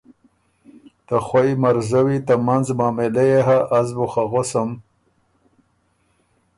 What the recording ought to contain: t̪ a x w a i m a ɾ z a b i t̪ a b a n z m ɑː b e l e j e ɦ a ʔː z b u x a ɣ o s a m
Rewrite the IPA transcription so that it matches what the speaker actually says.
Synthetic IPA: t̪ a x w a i m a ɾ z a w i t̪ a m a n z m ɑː m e l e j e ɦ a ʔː z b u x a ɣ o s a m